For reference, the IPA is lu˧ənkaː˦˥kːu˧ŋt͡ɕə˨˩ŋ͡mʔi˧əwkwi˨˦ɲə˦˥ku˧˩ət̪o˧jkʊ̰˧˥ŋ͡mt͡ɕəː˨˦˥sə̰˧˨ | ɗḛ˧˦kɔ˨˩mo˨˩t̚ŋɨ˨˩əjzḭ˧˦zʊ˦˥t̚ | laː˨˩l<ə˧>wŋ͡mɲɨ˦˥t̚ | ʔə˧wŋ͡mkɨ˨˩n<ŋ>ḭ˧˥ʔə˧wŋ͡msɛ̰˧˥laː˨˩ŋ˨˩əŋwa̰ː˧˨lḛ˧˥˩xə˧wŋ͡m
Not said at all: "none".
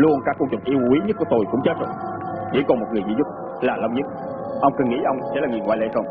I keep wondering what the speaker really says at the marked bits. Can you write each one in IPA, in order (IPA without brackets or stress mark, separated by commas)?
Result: ə˧, ŋ